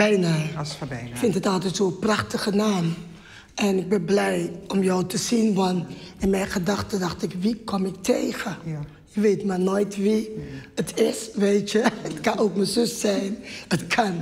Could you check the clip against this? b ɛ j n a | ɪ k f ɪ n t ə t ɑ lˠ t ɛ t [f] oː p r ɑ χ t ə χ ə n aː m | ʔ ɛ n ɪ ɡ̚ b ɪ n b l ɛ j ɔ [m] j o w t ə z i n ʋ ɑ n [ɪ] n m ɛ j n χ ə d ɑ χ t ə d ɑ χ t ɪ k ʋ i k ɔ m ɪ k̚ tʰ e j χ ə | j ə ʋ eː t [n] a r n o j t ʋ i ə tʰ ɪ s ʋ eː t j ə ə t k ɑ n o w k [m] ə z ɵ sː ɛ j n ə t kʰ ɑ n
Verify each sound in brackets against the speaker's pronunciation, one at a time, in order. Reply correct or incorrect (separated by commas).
incorrect, correct, correct, incorrect, correct